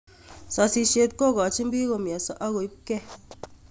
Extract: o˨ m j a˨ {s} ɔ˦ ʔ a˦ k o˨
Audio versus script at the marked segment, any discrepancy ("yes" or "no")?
no